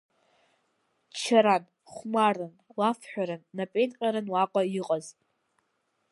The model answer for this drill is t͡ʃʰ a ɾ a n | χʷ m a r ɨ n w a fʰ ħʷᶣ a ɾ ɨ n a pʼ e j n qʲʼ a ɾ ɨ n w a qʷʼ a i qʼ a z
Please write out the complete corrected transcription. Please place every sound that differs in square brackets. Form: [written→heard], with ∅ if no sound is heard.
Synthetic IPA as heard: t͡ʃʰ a ɾ a n | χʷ m a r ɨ n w a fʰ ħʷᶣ a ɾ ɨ [n→nː] a pʼ e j n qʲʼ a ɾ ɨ n w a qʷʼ a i qʼ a z